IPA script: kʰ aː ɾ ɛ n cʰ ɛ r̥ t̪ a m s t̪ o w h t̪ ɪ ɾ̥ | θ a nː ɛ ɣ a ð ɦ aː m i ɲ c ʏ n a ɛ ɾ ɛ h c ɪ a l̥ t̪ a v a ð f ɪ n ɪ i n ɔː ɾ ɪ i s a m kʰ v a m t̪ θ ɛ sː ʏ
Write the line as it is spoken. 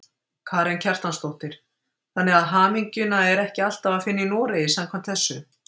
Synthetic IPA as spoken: kʰ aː ɾ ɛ n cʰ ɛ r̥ t̪ a n s t̪ o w h t̪ ɪ ɾ̥ | θ a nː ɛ ɣ a ð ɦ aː m i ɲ c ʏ n a ɛ ɾ ɛ h c ɪ a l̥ t̪ a v a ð f ɪ nː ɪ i n ɔː ɾ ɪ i s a m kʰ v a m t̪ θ ɛ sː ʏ